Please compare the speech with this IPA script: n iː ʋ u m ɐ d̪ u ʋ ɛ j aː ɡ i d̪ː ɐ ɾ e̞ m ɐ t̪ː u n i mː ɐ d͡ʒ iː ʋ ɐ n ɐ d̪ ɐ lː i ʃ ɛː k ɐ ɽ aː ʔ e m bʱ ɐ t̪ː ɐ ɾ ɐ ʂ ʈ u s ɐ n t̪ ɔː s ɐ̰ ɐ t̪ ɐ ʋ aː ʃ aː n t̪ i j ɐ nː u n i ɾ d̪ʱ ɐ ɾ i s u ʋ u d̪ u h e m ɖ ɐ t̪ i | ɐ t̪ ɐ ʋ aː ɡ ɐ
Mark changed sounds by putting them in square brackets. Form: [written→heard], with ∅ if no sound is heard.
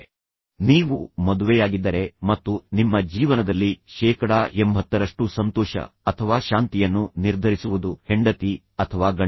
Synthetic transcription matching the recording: n iː ʋ u m ɐ d̪ u ʋ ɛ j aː ɡ i d̪ː ɐ ɾ e̞ m ɐ t̪ː u n i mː ɐ d͡ʒ iː ʋ ɐ n ɐ d̪ ɐ lː i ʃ ɛː k ɐ ɽ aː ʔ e m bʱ ɐ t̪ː ɐ ɾ ɐ ʂ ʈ u s ɐ n t̪ ɔː [s→ʃ] ɐ̰ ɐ [t̪→t̪ʰ] ɐ ʋ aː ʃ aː n t̪ i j ɐ nː u n i ɾ d̪ʱ ɐ ɾ i s u ʋ u d̪ u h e [m→ɳ] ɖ ɐ t̪ i | ɐ [t̪→t̪ʰ] ɐ ʋ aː ɡ ɐ

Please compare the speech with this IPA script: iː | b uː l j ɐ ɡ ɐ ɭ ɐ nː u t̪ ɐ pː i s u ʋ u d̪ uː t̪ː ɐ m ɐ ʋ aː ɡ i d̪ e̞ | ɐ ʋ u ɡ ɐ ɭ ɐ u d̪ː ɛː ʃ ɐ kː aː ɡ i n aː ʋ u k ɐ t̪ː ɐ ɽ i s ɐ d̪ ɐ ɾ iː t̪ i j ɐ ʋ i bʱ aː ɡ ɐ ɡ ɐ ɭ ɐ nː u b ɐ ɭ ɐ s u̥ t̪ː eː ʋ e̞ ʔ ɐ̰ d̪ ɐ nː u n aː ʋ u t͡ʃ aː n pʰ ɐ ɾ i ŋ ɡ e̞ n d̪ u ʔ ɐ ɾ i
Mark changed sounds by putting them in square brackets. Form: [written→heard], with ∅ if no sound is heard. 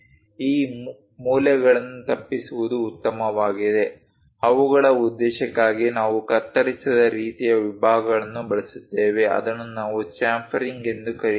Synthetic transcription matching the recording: iː | [b→m] uː l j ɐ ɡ ɐ ɭ ɐ nː u t̪ ɐ pː i s u ʋ u d̪ uː t̪ː ɐ m ɐ ʋ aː ɡ i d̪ e̞ | ɐ ʋ u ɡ ɐ ɭ ɐ u d̪ː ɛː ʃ ɐ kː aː ɡ i n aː ʋ u k ɐ t̪ː ɐ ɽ i s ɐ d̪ ɐ ɾ iː t̪ i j ɐ ʋ i bʱ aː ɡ ɐ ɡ ɐ ɭ ɐ nː u b ɐ ɭ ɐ s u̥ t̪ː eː ʋ e̞ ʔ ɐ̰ d̪ ɐ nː u n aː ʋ u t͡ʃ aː [n→m] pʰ ɐ ɾ i ŋ ɡ e̞ n d̪ u [ʔ→k] ɐ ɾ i

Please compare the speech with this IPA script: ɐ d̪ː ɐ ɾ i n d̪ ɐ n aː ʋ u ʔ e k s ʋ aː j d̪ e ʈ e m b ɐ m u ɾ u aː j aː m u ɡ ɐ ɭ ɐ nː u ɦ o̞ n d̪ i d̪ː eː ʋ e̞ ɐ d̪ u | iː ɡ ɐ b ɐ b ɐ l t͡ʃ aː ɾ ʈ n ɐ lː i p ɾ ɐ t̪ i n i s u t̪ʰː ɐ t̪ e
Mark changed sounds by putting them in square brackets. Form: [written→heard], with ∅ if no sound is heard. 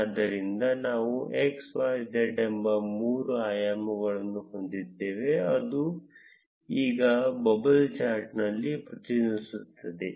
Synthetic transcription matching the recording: ɐ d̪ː ɐ ɾ i n d̪ ɐ n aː ʋ u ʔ e k s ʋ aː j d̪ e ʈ e m b ɐ m [u→uː] ɾ u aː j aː m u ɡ ɐ ɭ ɐ nː u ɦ o̞ n d̪ i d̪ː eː ʋ e̞ ɐ d̪ u | iː ɡ ɐ b ɐ b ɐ l t͡ʃ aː ɾ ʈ n ɐ lː i p ɾ ɐ t̪ i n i s u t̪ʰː ɐ [t̪→d̪] e

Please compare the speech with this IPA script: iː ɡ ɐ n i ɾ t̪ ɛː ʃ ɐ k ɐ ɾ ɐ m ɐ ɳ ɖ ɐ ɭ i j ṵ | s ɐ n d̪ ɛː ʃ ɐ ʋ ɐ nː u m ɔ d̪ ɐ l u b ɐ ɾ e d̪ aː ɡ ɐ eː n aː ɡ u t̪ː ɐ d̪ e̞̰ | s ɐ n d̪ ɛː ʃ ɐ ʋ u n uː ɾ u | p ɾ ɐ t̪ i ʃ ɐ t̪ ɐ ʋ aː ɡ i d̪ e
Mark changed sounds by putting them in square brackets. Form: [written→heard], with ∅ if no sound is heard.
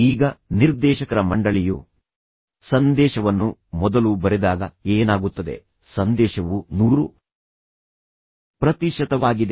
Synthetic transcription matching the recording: iː ɡ ɐ n i ɾ [t̪→d̪] ɛː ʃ ɐ k ɐ ɾ ɐ m ɐ ɳ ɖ ɐ ɭ i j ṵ | s ɐ n d̪ ɛː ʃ ɐ ʋ ɐ nː u m ɔ d̪ ɐ l u b ɐ ɾ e d̪ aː ɡ ɐ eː n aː ɡ u t̪ː ɐ d̪ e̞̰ | s ɐ n d̪ ɛː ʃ ɐ ʋ u n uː ɾ u | p ɾ ɐ t̪ i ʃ ɐ t̪ ɐ ʋ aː ɡ i d̪ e

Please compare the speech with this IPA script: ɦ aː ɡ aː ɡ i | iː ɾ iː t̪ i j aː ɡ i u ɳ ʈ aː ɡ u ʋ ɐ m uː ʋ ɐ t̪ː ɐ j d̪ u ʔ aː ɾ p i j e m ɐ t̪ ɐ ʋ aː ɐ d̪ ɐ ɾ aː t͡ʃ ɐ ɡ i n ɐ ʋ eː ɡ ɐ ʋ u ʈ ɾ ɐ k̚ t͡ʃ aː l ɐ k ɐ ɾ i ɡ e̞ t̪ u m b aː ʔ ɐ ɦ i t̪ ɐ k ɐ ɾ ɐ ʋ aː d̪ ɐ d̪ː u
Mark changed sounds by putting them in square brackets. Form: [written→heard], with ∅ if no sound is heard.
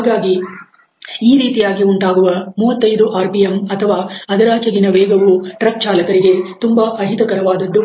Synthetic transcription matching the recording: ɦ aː ɡ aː ɡ i | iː ɾ iː t̪ i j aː ɡ i u ɳ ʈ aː ɡ u ʋ ɐ m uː ʋ ɐ t̪ː ɐ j d̪ u ʔ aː ɾ p i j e m ɐ [t̪→t̪ʰ] ɐ ʋ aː ɐ d̪ ɐ ɾ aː t͡ʃ ɐ ɡ i n ɐ ʋ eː ɡ ɐ ʋ u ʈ ɾ ɐ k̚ t͡ʃ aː l ɐ k ɐ ɾ i ɡ e̞ t̪ u m b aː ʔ ɐ ɦ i t̪ ɐ k ɐ ɾ ɐ ʋ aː d̪ ɐ d̪ː u

